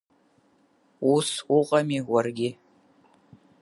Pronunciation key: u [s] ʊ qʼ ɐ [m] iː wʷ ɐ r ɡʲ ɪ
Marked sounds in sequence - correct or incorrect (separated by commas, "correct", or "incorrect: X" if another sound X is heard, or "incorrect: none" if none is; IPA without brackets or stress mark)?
correct, correct